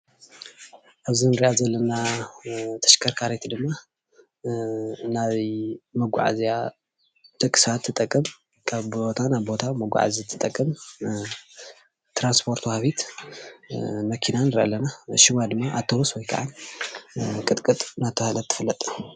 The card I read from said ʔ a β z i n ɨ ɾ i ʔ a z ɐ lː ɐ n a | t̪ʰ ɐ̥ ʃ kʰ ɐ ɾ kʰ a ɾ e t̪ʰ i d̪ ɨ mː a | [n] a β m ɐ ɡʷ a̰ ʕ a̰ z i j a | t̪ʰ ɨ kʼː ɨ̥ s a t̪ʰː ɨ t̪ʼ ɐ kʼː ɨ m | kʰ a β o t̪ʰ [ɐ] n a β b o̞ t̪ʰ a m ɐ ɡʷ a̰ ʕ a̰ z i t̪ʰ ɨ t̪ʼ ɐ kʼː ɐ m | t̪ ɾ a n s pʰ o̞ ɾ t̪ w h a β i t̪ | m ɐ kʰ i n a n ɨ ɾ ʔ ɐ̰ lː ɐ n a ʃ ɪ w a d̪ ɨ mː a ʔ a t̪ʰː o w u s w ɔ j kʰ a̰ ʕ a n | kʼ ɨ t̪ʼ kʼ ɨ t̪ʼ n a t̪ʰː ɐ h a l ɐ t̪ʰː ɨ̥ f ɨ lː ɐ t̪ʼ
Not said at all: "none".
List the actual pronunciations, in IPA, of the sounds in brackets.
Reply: n, a

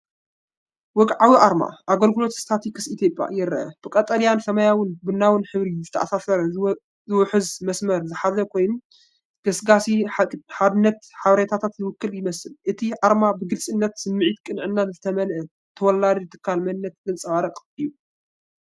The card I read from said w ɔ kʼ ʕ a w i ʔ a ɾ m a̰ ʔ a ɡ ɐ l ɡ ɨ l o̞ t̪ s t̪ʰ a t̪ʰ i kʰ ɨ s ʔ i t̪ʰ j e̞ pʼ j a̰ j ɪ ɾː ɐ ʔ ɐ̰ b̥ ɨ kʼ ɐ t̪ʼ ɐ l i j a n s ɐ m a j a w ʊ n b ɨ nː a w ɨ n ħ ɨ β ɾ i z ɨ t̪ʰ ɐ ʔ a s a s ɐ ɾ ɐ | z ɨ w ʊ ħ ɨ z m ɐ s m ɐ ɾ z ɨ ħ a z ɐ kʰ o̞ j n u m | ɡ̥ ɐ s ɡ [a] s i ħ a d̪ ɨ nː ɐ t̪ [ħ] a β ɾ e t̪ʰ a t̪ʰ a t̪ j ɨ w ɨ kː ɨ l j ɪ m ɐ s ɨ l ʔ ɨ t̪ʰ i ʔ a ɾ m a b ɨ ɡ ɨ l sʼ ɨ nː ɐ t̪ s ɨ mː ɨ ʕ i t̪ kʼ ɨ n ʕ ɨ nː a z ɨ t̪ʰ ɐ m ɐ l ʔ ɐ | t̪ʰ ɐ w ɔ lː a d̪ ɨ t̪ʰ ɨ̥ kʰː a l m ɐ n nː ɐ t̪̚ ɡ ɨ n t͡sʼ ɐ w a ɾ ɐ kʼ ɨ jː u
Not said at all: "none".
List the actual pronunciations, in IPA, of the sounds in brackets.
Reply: a, ħ

